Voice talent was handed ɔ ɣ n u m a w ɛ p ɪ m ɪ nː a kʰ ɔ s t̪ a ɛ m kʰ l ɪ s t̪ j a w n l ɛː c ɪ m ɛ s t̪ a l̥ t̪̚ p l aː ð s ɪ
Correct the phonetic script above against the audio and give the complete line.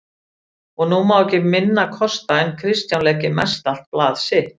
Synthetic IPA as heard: ɔ ɣ n u m a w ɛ c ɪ m ɪ nː a kʰ ɔ s t̪ a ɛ n kʰ ɾ ɪ s t̪ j a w n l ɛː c ɪ m ɛ s t̪ a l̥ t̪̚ p l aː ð s ɪ